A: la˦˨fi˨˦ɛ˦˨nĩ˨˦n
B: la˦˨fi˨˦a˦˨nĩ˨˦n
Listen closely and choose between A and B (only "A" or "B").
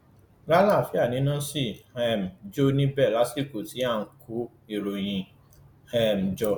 B